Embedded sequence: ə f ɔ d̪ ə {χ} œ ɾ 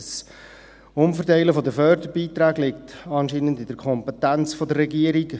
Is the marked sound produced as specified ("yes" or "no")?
no